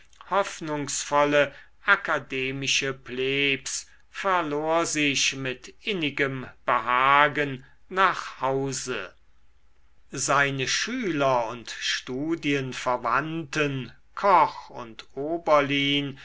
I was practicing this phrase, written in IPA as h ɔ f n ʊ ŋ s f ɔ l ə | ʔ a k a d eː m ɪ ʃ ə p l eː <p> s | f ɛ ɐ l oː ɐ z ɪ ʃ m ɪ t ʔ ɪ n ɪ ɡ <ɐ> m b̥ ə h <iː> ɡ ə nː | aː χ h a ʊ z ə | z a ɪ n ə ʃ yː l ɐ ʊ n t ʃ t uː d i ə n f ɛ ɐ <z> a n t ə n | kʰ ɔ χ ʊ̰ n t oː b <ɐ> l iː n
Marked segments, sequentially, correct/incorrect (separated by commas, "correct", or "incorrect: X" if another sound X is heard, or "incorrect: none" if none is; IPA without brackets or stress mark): correct, incorrect: ə, incorrect: aː, incorrect: v, correct